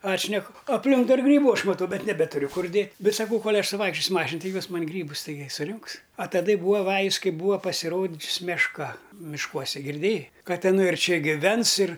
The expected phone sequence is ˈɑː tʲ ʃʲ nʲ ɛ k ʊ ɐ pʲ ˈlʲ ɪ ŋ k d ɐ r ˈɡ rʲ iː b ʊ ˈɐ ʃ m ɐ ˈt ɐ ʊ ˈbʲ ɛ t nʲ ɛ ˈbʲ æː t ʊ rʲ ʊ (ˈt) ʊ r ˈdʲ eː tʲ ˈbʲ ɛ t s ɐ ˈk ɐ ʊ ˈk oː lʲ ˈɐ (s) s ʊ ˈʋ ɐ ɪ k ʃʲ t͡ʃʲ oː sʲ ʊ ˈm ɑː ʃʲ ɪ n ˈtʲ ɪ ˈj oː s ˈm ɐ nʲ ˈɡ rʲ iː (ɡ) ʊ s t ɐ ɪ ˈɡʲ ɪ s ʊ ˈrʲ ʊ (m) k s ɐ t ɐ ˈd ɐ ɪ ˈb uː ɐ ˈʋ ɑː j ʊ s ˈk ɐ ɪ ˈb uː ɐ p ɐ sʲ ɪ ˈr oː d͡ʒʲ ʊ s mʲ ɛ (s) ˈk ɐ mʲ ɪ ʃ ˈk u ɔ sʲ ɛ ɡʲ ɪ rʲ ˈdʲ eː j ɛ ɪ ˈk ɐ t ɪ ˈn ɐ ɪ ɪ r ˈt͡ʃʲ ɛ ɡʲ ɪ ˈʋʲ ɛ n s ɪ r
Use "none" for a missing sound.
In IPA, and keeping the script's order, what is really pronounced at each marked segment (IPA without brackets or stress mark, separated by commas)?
k, ʃ, b, ŋ, ʃ